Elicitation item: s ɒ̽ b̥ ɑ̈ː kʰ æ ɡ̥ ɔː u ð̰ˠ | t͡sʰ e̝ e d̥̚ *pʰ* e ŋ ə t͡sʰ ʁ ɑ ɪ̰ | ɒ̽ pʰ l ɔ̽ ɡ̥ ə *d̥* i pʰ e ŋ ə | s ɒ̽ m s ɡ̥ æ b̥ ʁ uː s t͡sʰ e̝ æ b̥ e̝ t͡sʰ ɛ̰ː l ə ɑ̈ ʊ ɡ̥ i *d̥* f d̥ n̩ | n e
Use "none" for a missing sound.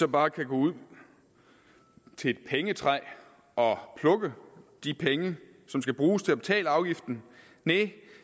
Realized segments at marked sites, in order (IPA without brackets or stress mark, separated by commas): pʰ, d̥, none